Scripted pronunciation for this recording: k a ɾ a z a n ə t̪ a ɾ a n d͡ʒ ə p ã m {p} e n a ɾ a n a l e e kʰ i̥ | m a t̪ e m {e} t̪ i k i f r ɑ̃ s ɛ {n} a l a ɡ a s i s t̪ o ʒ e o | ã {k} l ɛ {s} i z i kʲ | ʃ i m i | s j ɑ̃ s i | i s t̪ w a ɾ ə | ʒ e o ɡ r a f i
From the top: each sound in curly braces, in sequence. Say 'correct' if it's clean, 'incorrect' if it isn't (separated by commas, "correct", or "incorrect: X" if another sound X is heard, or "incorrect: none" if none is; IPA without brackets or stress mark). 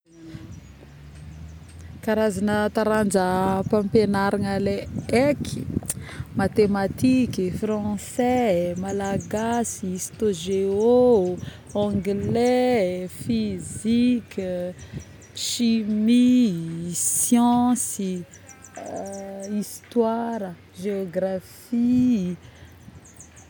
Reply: correct, incorrect: a, incorrect: m, incorrect: ɡ, incorrect: f